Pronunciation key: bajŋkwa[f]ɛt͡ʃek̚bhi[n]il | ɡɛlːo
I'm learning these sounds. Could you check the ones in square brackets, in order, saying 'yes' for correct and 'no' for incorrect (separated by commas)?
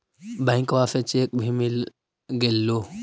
yes, no